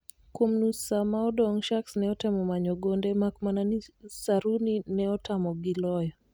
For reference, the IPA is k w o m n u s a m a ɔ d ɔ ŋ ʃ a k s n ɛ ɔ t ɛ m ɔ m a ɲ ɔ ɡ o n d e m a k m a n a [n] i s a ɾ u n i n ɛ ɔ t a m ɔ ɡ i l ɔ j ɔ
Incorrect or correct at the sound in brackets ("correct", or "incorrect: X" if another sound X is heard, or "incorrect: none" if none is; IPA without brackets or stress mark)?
correct